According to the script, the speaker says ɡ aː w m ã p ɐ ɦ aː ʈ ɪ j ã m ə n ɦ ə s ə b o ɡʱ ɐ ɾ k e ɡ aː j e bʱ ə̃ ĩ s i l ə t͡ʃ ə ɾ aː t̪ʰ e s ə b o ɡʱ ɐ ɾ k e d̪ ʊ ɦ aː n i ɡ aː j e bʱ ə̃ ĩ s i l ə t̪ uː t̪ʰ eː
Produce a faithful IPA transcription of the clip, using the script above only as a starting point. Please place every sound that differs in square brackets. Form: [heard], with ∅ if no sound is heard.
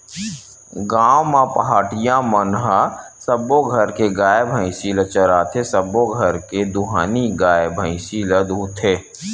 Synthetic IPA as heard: ɡ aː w m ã p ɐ ɦ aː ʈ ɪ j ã m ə n ɦ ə s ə b o ɡʱ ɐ ɾ k e ɡ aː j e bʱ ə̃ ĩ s i l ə t͡ʃ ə ɾ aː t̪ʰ e s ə b o ɡʱ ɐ ɾ k e d̪ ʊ ɦ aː n i ɡ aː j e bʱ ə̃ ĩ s i l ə [d̪] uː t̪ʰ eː